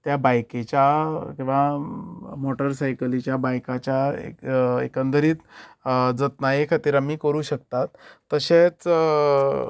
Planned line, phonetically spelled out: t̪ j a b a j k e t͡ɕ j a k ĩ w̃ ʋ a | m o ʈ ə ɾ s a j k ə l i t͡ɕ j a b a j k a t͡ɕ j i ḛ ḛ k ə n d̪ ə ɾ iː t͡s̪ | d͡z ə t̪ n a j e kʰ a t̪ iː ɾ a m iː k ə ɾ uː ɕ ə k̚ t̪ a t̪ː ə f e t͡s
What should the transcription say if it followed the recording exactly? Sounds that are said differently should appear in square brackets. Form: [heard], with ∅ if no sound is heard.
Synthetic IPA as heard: t̪ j a b a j k e t͡ɕ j a k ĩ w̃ ʋ a | m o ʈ ə ɾ s a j k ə l i t͡ɕ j a b a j k a t͡ɕ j [a] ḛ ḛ k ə n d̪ ə ɾ iː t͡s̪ | d͡z ə t̪ n a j e kʰ a t̪ iː ɾ a m iː k ə ɾ uː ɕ ə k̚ t̪ a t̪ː ə [ɕ] e t͡s